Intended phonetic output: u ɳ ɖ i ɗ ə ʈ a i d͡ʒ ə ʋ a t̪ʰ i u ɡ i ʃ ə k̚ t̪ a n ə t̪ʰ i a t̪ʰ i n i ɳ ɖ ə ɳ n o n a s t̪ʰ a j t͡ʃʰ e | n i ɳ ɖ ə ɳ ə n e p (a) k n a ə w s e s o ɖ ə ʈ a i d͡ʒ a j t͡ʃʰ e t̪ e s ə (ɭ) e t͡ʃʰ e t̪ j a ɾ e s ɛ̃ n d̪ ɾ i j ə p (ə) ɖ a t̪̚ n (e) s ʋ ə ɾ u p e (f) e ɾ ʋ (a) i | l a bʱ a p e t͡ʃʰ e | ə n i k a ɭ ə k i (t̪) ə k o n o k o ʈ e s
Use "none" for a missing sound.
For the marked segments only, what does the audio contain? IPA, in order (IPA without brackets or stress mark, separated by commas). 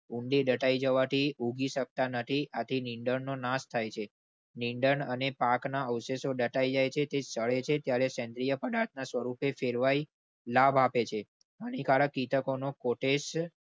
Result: a, ɭ, ə, a, f, a, t̪